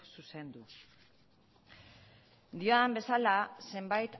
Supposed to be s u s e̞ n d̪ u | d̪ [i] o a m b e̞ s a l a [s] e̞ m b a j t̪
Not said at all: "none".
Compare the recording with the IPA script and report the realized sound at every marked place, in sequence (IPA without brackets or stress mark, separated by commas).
i, s